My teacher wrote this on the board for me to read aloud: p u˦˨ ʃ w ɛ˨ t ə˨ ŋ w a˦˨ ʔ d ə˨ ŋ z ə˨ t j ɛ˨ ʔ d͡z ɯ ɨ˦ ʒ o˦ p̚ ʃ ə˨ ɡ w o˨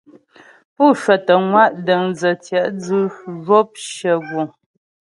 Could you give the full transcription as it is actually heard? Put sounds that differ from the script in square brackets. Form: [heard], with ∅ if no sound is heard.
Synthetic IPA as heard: p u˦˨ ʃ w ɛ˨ t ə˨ ŋ w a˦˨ ʔ d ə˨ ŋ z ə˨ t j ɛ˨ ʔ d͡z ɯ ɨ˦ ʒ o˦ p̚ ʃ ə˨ ɡ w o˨